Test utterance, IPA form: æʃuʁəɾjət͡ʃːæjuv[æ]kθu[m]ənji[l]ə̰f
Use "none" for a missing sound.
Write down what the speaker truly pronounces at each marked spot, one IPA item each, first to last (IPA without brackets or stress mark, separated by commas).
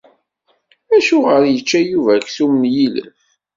æ, m, l